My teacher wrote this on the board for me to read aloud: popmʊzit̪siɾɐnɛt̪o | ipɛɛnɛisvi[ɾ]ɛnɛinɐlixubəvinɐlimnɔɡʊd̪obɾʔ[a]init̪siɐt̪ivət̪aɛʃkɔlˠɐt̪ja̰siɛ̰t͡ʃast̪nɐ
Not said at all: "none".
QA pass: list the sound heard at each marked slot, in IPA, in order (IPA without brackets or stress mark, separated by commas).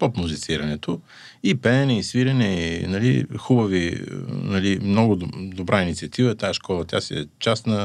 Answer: ɾ, a